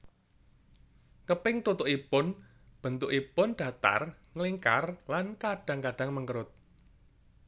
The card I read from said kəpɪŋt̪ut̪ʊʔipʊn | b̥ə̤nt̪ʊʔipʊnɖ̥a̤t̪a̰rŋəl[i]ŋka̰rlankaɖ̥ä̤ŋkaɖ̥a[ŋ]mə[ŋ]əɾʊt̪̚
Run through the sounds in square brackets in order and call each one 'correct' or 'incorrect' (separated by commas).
correct, correct, correct